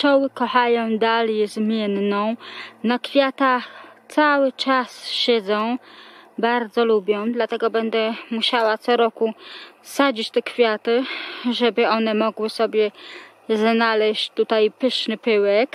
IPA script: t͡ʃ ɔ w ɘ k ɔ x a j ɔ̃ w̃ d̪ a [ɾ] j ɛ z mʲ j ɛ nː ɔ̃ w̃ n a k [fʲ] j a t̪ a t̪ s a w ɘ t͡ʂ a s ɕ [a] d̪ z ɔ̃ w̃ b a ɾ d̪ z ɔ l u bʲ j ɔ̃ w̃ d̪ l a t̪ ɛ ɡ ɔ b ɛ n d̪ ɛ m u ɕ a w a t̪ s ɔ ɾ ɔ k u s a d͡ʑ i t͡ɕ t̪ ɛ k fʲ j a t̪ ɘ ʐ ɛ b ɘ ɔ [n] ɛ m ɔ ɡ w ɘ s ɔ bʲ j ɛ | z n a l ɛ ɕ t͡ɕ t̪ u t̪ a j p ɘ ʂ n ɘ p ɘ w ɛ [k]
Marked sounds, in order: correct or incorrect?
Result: incorrect, correct, incorrect, correct, correct

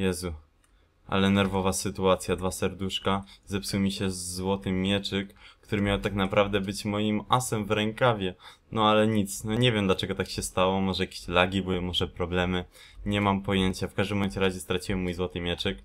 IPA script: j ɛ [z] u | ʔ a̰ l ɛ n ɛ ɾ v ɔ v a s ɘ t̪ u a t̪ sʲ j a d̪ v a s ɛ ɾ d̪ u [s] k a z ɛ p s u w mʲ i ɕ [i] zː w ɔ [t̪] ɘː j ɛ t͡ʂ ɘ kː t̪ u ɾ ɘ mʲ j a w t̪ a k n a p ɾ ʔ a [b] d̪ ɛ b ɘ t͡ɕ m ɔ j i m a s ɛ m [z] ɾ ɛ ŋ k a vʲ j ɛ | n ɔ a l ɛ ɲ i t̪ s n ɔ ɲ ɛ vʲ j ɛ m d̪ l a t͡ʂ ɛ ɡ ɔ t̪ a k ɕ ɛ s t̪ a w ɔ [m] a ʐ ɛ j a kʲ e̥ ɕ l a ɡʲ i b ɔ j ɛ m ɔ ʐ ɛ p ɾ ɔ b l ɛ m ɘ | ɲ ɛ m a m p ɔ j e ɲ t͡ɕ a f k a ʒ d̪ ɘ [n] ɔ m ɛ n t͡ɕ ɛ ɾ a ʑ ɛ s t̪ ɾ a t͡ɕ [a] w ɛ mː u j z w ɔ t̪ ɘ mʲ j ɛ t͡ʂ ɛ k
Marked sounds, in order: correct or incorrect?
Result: correct, incorrect, incorrect, correct, incorrect, incorrect, correct, incorrect, incorrect

